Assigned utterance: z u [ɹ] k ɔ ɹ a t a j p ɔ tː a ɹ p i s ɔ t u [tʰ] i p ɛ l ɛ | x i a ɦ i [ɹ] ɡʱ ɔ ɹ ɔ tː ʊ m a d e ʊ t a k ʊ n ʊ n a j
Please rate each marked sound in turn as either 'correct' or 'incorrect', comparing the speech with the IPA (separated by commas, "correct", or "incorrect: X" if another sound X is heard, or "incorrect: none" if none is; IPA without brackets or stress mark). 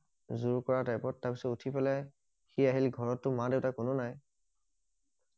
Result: correct, correct, incorrect: l